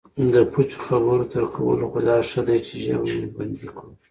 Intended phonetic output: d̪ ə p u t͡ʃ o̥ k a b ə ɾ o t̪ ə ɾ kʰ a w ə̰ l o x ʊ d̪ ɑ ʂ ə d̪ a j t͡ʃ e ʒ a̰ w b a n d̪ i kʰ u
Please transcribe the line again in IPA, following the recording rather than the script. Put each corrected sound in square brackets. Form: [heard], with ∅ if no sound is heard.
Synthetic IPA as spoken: d̪ ə p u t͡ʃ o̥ [x] a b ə ɾ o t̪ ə ɾ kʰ a w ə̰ l o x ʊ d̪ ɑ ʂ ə d̪ a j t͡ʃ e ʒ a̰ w b a n d̪ i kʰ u